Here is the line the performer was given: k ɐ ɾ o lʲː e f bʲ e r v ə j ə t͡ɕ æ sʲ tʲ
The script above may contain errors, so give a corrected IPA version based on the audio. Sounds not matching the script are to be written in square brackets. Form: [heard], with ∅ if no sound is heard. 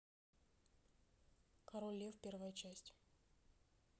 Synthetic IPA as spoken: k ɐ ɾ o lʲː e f [pʲ] e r v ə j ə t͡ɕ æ sʲ tʲ